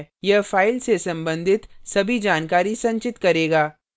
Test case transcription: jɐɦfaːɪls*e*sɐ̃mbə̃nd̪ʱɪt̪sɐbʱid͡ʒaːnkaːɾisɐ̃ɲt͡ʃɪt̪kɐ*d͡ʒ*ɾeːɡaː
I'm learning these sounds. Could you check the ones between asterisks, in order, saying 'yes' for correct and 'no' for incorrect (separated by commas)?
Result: yes, no